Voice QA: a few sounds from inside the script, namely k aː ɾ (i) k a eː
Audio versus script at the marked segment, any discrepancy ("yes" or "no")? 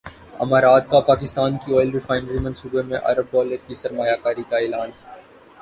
no